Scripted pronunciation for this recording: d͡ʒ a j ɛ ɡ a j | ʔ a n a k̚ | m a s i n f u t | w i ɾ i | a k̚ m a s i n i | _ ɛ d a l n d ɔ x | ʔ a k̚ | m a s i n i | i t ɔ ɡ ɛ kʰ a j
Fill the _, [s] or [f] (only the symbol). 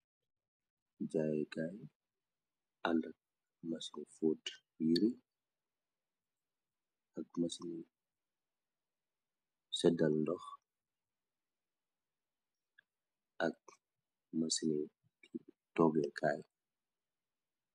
s